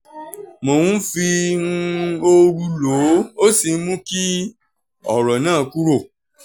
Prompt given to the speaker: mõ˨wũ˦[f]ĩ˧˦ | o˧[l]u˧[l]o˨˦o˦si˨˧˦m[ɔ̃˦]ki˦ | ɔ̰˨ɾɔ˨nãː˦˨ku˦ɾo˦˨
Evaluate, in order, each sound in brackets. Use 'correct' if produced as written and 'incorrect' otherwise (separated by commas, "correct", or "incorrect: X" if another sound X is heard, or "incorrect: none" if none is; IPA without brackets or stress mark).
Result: correct, incorrect: ɾ, correct, incorrect: ũ˦